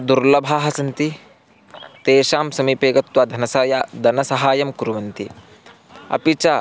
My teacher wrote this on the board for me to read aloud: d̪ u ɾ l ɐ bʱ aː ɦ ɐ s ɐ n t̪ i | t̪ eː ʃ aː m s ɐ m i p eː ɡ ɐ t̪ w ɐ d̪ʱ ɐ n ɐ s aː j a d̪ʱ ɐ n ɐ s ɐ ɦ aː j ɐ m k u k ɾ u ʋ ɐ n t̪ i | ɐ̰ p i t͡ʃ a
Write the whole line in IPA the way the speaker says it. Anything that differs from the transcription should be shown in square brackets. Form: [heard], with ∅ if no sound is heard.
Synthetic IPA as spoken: d̪ u ɾ l ɐ bʱ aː ɦ ɐ s ɐ n t̪ i | t̪ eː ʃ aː m s ɐ m i p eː ɡ ɐ t̪ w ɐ d̪ʱ ɐ n ɐ s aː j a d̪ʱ ɐ n ɐ s ɐ ɦ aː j ɐ m k u [∅] ɾ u ʋ ɐ n t̪ i | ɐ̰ p i t͡ʃ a

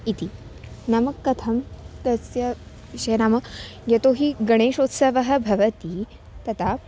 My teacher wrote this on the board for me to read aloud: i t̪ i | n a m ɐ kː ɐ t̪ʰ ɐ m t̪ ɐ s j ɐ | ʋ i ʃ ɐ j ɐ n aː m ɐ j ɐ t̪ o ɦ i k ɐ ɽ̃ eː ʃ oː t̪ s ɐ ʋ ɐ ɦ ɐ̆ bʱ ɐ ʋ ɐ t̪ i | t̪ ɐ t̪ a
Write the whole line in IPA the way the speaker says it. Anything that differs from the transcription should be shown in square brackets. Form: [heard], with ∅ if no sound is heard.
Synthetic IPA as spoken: i t̪ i | n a m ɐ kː ɐ t̪ʰ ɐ m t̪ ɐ s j ɐ | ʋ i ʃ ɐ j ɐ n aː m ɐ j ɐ t̪ o ɦ i [ɡ] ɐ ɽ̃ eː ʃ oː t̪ s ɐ ʋ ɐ ɦ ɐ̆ bʱ ɐ ʋ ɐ t̪ i | t̪ ɐ t̪ a

